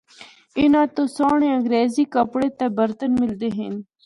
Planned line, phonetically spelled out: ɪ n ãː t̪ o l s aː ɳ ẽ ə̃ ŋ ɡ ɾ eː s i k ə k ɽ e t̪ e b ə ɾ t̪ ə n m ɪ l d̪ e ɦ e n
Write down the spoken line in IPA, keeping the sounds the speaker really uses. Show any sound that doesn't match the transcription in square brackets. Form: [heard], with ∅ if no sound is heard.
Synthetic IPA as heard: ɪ n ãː t̪ o [∅] s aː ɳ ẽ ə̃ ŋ ɡ ɾ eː [z] i k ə [p] ɽ e t̪ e b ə ɾ t̪ ə n m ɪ l d̪ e ɦ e n